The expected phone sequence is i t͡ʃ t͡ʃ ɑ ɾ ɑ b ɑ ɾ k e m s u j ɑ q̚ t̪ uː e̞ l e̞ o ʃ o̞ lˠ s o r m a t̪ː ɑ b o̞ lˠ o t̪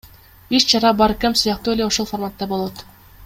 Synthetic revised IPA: i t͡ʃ t͡ʃ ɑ ɾ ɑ b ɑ ɾ k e m s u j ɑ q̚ t̪ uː e̞ l e̞ o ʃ o̞ lˠ f o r m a t̪ː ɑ b o̞ lˠ o t̪